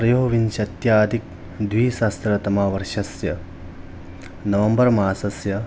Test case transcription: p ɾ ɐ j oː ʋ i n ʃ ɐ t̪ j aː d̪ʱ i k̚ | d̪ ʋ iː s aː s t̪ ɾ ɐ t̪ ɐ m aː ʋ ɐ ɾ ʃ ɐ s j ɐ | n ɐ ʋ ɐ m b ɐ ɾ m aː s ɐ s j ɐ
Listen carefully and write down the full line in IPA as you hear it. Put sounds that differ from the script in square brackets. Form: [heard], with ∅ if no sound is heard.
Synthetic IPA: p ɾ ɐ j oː ʋ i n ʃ ɐ t̪ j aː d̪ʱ i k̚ | d̪ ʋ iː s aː s t̪ ɾ ɐ t̪ ɐ m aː ʋ ɐ ɾ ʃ ɐ s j ɐ | n ɐ ʋ ɐ m b ɐ ɾ m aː s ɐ s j ɐ